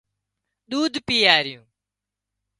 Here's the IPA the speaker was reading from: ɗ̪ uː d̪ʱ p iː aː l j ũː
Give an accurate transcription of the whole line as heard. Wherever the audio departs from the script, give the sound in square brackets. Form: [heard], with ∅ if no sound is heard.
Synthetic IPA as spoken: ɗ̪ uː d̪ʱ p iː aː [ɾ] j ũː